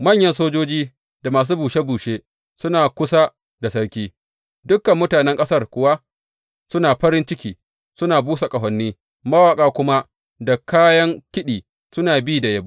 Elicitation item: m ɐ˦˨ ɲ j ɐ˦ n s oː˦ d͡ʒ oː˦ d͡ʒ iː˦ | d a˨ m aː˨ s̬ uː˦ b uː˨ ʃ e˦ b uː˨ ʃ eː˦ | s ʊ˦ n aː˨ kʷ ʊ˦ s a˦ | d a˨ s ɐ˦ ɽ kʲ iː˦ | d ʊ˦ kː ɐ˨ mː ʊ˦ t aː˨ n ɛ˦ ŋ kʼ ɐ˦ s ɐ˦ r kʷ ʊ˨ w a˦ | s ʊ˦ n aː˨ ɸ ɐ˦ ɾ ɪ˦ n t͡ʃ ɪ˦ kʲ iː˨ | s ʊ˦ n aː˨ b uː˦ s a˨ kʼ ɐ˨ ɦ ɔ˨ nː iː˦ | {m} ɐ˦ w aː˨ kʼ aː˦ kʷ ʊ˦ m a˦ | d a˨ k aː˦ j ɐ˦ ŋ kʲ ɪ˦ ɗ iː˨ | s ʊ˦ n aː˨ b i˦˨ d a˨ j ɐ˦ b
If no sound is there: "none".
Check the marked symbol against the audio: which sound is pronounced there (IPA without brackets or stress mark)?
m